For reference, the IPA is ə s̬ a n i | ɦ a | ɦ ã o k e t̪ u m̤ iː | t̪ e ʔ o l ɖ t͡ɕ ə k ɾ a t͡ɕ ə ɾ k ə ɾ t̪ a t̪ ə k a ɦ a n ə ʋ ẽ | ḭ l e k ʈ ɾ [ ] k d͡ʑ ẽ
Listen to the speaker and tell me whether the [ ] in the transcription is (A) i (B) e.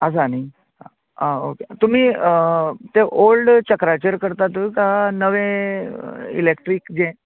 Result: A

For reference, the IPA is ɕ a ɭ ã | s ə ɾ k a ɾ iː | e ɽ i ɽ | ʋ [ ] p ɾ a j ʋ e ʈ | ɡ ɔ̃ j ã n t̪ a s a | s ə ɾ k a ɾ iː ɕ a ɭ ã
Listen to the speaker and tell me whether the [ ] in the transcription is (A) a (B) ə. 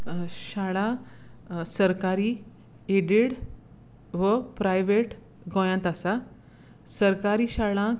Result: B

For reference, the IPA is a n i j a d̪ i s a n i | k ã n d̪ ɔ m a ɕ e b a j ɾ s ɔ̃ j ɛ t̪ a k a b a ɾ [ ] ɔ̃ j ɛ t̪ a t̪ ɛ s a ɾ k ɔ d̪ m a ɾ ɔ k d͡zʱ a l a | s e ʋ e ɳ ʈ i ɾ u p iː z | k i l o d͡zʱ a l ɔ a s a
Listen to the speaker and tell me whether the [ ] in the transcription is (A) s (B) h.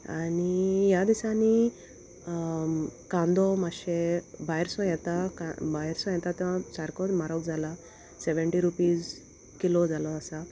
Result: A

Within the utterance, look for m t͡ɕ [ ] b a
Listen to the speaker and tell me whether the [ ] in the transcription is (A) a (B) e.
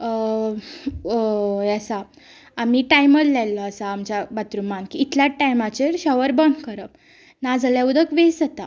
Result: A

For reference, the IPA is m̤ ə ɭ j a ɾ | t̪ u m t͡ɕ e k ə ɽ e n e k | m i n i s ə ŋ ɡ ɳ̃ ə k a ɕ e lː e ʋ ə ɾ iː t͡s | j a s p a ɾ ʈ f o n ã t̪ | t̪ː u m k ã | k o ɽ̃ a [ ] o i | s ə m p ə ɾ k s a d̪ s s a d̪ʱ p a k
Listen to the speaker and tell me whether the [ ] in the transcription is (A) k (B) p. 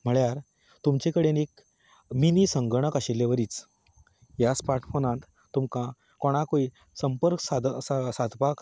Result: A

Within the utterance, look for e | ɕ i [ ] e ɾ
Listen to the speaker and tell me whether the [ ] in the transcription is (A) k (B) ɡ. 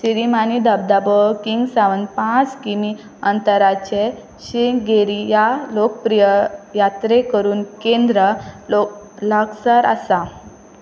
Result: B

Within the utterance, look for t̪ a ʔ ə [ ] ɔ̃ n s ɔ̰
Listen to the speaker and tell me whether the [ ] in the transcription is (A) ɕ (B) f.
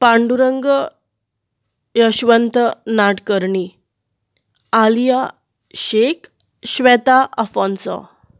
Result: B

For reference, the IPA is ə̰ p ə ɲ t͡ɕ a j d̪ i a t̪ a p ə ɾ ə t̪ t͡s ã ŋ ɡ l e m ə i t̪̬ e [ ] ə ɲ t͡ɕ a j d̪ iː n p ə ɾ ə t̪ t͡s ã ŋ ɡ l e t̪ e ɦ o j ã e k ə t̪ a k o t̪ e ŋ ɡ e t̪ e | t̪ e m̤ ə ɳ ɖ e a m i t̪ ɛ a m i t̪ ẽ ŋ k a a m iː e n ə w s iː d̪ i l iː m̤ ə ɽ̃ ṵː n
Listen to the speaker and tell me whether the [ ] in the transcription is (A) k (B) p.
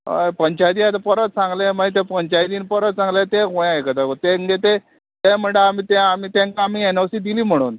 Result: B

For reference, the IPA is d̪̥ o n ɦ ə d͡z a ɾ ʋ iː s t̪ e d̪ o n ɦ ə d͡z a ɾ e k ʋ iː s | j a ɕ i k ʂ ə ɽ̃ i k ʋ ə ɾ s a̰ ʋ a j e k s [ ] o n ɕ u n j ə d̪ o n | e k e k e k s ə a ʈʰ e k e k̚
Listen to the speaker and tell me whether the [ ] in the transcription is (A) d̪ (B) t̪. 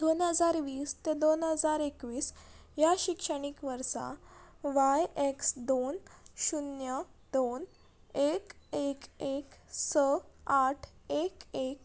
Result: A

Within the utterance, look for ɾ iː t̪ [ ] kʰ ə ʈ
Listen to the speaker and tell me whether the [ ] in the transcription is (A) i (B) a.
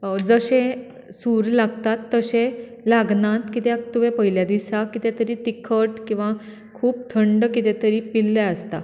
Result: A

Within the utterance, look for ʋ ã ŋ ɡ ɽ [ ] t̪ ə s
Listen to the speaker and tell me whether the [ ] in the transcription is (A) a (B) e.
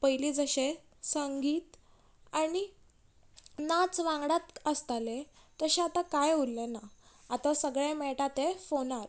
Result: A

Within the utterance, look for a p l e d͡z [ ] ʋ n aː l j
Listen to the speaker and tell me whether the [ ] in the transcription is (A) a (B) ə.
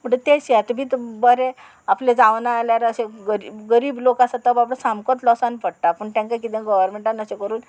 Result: A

